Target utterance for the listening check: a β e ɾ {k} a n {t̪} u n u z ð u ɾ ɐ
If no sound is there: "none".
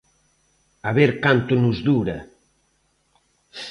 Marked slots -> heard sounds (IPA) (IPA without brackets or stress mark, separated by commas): k, t̪